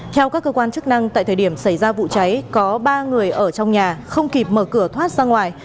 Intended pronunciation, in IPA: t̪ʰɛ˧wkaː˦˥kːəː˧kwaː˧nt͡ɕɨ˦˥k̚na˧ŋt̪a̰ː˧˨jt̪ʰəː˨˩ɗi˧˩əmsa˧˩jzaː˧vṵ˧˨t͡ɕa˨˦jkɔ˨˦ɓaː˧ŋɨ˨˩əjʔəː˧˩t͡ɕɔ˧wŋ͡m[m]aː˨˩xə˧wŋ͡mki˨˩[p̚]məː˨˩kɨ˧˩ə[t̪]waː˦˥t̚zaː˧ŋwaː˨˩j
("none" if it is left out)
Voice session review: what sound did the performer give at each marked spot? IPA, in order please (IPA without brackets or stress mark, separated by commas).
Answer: ɲ, p̚, t̪ʰ